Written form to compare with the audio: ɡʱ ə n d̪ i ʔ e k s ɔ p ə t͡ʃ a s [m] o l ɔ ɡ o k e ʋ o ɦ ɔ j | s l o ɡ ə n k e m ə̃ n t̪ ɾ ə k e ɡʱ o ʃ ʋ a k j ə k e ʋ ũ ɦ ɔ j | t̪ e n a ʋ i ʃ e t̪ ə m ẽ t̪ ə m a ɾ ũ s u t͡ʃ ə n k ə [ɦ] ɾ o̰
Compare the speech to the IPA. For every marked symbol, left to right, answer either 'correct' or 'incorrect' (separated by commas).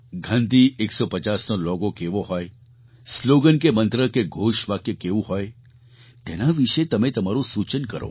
incorrect, incorrect